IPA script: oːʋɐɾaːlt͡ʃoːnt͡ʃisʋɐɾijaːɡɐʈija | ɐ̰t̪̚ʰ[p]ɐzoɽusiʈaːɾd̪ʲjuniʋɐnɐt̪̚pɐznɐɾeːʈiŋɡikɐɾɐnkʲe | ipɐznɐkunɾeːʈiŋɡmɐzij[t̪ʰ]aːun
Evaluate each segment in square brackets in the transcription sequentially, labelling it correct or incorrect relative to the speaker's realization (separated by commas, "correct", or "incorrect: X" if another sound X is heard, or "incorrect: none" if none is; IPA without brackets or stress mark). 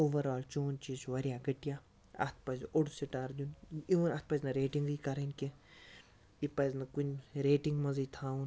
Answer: correct, correct